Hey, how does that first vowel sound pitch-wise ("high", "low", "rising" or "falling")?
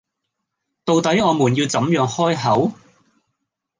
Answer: low